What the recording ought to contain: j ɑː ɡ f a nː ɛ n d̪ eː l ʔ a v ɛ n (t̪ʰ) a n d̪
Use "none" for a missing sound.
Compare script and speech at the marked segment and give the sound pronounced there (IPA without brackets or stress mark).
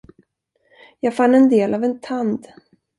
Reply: t̪ʰ